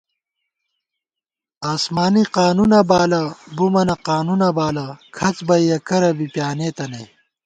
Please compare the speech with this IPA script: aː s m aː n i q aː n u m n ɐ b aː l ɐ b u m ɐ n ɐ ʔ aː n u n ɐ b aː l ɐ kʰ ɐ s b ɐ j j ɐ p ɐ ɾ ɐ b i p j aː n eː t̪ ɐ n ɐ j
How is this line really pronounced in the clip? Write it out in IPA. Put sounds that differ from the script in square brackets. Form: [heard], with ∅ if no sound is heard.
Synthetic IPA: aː s m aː n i q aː n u [∅] n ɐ b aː l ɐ b u m ɐ n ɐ [q] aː n u n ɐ b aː l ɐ kʰ ɐ [t͡s] b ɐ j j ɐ [k] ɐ ɾ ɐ b i p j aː n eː t̪ ɐ n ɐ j